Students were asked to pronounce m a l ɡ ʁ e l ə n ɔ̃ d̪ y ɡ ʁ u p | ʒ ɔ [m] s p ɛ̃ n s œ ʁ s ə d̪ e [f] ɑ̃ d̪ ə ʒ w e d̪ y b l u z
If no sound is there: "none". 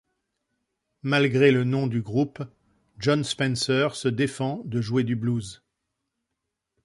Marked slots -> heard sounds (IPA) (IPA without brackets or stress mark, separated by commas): n, f